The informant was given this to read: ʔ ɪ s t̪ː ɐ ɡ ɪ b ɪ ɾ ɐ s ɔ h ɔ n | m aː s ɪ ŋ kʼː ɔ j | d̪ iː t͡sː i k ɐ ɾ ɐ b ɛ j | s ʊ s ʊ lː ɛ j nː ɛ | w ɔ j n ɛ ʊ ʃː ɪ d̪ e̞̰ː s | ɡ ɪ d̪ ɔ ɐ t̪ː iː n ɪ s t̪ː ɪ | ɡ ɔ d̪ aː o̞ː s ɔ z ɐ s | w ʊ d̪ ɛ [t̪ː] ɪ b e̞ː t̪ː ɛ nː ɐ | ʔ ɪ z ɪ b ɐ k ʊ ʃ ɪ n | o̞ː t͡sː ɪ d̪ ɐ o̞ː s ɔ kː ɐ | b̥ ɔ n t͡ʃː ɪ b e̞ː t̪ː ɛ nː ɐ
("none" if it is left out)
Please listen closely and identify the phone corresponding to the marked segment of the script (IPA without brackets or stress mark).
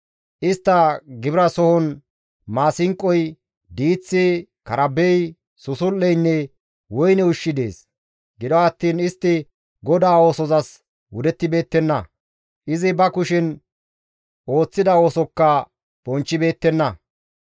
t̪ː